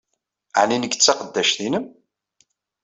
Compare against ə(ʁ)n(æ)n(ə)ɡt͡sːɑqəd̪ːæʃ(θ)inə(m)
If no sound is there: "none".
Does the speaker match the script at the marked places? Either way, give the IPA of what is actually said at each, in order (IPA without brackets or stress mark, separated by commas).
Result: ʕ, i, ə, θ, m